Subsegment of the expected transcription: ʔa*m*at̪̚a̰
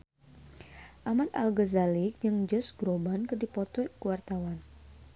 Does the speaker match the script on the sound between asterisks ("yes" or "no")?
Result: yes